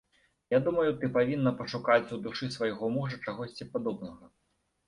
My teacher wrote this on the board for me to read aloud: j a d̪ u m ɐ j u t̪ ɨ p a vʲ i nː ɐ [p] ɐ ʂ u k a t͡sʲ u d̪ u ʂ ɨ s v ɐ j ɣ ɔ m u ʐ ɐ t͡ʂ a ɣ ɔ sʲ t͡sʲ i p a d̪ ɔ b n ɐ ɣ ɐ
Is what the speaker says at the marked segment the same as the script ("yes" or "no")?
yes